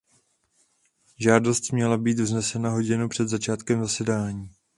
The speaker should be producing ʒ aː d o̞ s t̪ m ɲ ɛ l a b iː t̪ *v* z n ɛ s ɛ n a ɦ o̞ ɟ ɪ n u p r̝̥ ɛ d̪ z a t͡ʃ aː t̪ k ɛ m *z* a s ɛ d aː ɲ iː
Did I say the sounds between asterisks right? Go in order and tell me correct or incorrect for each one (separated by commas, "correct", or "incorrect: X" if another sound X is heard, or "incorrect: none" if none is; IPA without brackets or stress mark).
correct, correct